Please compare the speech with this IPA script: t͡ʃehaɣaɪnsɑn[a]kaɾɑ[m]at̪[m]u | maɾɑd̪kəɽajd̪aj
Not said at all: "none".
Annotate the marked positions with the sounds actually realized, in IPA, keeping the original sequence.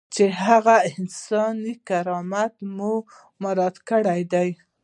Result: i, m, m

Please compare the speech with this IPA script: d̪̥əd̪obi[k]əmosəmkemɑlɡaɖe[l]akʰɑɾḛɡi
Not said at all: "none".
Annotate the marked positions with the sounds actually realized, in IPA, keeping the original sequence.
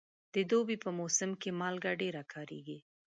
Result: p, ɾ

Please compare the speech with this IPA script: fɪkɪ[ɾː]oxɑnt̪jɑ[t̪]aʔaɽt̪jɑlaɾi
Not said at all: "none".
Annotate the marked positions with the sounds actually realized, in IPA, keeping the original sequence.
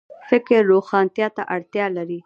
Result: ɾː, t̪

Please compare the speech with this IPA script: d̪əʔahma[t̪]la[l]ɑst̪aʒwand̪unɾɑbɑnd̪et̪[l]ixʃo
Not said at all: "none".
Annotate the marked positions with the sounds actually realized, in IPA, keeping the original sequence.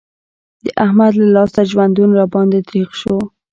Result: d̪, l, ɾ

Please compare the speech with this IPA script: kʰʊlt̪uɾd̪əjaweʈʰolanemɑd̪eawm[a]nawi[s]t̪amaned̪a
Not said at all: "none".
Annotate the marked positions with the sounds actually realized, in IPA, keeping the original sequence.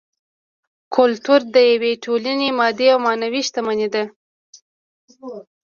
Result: ɑ, ʃ

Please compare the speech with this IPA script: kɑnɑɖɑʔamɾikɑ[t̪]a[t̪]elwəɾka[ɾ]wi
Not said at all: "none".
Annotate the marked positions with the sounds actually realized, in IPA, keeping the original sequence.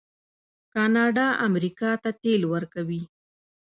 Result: t̪, t̪, none

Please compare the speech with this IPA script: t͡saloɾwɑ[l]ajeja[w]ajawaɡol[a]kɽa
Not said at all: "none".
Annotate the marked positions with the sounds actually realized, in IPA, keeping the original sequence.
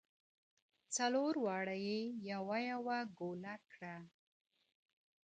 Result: ɽ, w, a

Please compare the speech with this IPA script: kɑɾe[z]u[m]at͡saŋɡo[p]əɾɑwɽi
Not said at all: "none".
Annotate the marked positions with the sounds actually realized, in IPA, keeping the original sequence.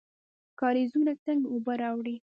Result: z, n, b

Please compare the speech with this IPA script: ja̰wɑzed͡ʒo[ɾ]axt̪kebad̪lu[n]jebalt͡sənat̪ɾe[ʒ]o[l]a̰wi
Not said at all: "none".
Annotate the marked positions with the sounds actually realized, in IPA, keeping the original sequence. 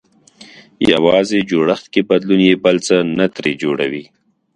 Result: ɽ, n, d͡ʒ, ɽ

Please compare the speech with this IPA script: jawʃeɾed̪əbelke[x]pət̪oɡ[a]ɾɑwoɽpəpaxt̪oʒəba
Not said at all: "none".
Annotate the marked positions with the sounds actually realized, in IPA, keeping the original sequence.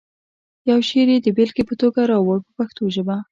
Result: none, a

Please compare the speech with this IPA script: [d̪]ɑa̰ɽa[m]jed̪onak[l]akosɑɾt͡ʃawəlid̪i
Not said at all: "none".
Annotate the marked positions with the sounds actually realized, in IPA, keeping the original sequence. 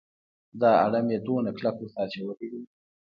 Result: d̪, m, l

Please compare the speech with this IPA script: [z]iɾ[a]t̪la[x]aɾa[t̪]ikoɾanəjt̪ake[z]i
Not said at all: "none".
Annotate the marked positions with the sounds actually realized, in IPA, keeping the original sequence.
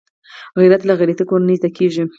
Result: ɣ, a, ɣ, t̪, ʒ

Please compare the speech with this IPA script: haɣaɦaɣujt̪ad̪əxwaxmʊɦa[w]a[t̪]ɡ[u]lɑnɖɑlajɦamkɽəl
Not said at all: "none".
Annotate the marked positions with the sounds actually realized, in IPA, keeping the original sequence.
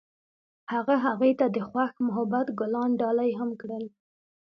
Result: b, t̪, ʊ

